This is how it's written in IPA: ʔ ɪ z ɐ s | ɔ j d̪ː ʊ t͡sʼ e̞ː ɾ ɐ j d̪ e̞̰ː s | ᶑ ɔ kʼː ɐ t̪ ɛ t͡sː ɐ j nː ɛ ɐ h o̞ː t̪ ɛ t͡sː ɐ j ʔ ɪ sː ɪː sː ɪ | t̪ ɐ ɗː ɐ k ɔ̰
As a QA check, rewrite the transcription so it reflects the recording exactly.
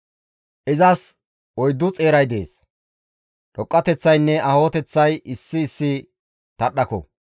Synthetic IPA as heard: ʔ ɪ z ɐ s | ɔ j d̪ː ʊ t͡sʼ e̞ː ɾ ɐ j d̪ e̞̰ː s | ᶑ ɔ kʼː ɐ t̪ ɛ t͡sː ɐ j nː ɛ ɐ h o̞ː t̪ ɛ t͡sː ɐ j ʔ ɪ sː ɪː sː ɪ | t̪ ɐ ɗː ɐ k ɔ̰